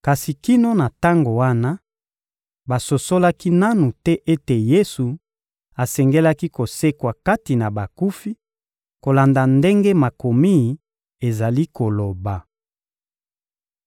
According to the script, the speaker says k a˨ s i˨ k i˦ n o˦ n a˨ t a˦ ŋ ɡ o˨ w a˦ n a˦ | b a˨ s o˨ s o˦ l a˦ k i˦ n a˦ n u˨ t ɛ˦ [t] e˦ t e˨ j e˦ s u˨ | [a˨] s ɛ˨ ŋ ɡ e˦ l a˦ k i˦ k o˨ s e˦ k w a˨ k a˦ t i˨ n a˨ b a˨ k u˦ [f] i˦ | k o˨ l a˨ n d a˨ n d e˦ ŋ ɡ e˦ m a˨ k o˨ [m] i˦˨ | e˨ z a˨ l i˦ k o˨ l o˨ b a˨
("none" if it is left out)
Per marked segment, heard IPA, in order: ʔ, a˨, f, m

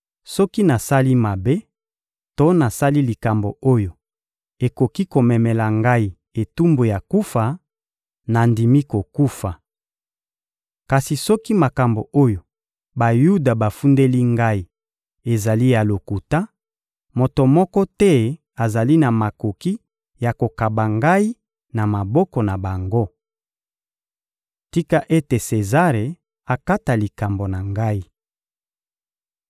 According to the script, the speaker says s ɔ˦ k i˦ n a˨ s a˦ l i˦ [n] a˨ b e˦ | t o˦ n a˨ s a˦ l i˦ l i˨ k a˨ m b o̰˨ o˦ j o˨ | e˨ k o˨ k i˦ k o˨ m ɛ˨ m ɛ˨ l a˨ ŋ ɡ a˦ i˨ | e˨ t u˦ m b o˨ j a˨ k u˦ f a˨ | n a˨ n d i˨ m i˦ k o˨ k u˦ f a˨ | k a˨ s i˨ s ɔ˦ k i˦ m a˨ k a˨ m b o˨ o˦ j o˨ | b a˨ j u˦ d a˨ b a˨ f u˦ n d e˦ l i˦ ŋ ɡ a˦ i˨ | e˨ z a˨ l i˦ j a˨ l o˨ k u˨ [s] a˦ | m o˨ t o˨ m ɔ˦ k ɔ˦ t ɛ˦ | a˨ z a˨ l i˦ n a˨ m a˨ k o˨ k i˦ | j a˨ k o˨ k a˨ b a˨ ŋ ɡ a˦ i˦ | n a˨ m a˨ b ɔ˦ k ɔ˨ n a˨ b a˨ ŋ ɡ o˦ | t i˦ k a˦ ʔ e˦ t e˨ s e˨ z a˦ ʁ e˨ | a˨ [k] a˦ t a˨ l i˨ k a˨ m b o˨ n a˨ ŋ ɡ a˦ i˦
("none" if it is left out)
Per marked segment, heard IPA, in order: m, t, k

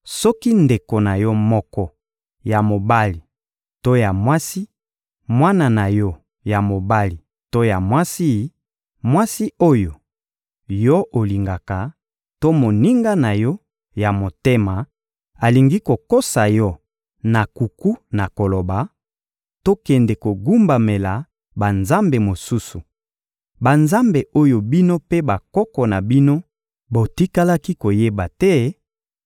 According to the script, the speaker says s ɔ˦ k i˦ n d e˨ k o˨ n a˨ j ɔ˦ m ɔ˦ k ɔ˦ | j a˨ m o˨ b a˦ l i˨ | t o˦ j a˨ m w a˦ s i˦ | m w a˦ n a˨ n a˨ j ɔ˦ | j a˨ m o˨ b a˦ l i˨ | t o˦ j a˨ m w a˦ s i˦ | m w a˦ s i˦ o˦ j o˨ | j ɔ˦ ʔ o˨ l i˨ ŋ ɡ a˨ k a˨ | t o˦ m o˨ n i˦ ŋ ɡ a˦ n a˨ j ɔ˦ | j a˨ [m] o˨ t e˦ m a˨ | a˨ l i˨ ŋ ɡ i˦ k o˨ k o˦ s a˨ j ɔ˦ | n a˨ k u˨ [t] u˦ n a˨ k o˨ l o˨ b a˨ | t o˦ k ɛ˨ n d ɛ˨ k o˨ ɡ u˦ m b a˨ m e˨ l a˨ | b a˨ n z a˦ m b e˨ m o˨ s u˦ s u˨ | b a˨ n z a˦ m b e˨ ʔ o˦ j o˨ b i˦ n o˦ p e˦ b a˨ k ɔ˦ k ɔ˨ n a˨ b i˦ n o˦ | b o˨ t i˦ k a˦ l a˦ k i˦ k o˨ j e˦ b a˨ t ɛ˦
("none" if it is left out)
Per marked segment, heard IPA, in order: m, k

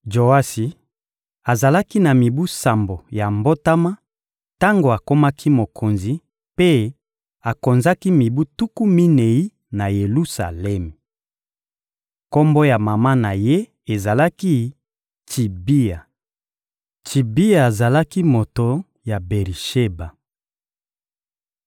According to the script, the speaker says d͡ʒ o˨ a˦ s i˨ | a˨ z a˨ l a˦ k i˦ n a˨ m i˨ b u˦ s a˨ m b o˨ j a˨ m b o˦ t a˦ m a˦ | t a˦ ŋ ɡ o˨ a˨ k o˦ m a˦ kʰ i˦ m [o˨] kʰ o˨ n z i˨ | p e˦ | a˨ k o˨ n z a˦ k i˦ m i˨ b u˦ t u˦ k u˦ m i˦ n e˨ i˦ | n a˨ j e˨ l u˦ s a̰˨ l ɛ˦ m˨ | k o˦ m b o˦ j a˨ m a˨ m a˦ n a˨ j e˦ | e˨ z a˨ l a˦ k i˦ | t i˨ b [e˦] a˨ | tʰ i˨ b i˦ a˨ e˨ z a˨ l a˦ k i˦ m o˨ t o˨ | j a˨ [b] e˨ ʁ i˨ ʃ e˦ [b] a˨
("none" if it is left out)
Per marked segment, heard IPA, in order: o˨, i˦, b, b

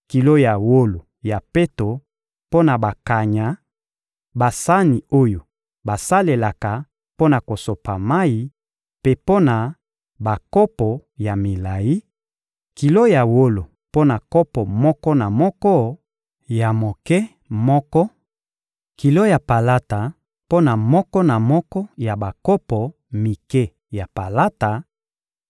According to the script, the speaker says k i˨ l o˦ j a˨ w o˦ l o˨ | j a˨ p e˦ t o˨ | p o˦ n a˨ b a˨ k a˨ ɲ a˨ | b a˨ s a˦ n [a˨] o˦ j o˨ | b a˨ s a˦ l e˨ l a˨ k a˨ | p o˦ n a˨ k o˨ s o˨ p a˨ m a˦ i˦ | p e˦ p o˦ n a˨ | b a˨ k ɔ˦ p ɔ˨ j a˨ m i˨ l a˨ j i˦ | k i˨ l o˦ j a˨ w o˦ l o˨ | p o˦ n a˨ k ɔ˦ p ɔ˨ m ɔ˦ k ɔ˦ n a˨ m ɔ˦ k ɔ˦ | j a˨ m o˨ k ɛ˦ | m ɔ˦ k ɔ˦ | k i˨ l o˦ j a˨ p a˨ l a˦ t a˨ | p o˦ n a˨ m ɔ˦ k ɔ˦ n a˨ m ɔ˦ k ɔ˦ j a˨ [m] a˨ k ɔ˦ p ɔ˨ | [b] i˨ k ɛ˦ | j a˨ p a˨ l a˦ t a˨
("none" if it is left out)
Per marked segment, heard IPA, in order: i˨, b, m

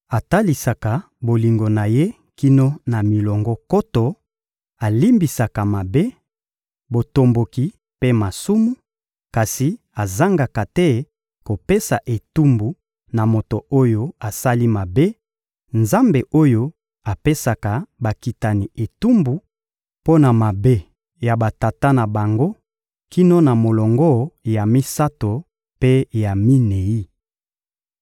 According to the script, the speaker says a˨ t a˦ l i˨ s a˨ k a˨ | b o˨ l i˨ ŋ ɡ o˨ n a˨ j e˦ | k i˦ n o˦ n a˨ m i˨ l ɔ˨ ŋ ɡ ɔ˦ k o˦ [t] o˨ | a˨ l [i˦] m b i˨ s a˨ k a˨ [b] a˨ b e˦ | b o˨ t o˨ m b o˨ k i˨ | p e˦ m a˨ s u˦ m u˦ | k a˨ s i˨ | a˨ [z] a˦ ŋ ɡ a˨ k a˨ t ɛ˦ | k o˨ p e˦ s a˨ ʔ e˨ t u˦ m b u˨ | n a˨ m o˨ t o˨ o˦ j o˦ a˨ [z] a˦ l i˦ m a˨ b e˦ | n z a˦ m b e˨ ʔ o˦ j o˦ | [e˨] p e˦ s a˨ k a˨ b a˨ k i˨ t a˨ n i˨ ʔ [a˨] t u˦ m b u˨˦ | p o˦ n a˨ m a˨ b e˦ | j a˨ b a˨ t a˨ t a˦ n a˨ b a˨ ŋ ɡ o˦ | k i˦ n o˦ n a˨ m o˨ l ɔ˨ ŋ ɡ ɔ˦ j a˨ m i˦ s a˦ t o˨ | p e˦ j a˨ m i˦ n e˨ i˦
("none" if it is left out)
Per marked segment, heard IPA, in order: t, i˦, m, z, s, a˨, e˨

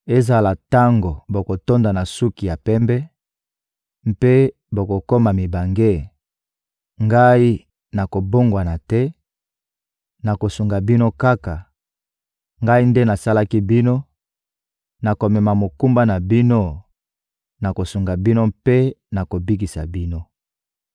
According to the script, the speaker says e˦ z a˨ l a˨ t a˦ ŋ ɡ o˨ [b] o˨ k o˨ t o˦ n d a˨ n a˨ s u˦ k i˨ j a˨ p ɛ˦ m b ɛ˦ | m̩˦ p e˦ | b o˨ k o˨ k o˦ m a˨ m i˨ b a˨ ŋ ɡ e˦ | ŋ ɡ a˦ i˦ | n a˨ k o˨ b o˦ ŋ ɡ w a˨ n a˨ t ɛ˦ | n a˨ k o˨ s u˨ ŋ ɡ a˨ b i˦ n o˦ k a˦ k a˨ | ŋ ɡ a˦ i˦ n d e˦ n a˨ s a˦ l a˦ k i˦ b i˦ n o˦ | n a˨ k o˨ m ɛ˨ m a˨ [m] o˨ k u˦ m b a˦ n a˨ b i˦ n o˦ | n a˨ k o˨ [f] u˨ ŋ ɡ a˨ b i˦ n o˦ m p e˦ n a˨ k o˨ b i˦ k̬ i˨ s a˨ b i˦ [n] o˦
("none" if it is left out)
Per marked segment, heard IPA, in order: b, m, s, n

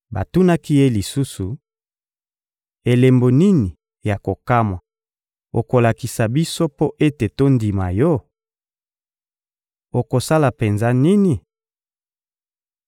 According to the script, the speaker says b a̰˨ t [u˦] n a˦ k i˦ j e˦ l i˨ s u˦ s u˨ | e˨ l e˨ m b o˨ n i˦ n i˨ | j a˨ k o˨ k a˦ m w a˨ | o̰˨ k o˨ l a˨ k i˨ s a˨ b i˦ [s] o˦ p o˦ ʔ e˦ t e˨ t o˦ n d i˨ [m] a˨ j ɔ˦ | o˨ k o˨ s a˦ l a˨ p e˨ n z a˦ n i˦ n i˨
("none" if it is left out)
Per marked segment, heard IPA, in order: u˦, s, m

